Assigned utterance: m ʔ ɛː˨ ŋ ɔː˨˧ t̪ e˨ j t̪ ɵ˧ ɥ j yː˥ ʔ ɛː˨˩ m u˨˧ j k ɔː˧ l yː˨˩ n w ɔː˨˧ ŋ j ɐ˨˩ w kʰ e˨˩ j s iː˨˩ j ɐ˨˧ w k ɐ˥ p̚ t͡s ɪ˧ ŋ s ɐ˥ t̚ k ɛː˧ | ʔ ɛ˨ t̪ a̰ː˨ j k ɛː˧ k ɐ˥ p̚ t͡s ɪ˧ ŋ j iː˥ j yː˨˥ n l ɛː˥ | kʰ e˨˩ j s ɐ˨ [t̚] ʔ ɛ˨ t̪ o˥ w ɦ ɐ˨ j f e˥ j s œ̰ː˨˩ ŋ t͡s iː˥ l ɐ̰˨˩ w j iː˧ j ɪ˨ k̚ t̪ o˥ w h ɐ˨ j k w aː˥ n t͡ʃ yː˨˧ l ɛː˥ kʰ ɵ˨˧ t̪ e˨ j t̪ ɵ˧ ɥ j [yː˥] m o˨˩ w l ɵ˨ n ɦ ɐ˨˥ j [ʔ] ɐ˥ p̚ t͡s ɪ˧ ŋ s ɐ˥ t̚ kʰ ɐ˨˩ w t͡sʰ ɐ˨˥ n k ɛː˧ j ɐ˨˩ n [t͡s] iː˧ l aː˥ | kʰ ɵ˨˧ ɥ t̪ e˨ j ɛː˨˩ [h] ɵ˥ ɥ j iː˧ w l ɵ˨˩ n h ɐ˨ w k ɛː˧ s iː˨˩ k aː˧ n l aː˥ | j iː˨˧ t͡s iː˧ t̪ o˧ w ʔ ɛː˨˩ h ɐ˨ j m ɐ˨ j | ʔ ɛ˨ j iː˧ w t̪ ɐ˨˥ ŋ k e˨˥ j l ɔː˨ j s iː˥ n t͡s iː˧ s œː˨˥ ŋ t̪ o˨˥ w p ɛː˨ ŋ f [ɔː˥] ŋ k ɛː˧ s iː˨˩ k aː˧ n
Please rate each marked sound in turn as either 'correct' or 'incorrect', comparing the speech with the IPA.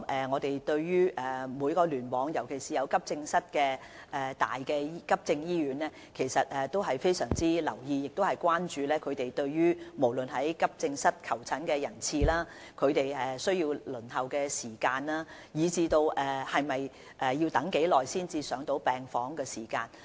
correct, correct, incorrect: k, incorrect: t͡sʰ, incorrect: s, incorrect: ɔː˨˥

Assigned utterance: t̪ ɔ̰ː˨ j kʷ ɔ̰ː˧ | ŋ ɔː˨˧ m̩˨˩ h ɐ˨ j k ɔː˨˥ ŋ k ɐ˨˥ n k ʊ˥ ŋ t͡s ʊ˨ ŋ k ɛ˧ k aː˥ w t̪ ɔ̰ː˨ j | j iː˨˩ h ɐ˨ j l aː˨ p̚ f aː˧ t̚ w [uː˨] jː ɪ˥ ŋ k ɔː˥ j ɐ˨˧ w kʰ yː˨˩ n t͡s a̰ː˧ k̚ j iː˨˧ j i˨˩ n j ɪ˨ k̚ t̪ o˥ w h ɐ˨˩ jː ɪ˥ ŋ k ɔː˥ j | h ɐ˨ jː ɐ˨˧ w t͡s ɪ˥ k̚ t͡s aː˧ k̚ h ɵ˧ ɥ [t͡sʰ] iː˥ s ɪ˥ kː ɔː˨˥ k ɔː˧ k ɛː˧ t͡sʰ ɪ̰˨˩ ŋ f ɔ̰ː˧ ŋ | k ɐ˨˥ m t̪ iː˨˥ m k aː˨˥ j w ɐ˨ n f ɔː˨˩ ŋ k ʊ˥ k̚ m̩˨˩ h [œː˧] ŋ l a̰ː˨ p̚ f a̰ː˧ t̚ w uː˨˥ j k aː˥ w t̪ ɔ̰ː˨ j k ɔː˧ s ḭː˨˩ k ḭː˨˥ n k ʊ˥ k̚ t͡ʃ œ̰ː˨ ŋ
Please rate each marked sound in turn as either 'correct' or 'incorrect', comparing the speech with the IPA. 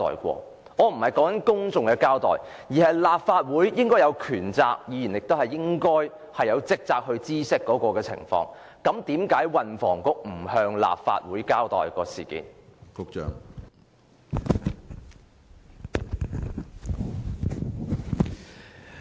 incorrect: uː˨˥, incorrect: t͡s, correct

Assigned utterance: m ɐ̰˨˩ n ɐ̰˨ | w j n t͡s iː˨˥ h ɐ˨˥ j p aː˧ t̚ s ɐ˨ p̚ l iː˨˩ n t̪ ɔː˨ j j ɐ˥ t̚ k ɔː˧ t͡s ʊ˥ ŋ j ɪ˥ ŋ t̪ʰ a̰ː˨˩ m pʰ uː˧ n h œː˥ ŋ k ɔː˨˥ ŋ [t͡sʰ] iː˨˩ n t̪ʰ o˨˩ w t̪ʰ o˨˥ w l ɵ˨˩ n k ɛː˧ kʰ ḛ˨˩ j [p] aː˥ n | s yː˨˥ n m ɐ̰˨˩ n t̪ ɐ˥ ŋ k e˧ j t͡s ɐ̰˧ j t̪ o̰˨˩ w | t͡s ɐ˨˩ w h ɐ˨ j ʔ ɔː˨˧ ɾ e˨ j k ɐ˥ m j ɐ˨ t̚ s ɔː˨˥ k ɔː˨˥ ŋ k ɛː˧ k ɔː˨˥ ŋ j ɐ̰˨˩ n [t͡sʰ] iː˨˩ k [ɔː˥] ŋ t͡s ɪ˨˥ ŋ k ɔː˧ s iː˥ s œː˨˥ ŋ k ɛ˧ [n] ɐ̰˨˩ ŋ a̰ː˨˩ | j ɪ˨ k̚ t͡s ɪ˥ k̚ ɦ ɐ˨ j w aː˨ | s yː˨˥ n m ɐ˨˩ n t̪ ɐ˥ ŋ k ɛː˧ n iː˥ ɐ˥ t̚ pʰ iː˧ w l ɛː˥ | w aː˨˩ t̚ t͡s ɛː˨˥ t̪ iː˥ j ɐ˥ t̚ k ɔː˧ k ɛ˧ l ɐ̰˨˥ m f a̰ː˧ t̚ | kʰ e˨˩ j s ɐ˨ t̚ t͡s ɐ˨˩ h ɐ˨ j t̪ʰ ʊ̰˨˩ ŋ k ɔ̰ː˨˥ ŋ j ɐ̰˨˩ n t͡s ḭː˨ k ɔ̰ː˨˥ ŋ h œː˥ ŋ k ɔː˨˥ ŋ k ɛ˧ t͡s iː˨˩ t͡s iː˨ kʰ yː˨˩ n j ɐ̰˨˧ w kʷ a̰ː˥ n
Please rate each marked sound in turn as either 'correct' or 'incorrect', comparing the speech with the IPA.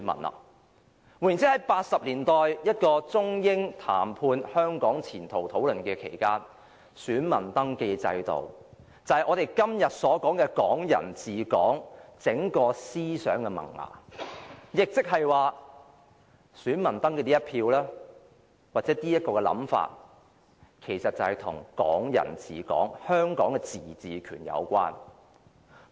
correct, incorrect: k, incorrect: t͡s, incorrect: ɔː˨˥, incorrect: m

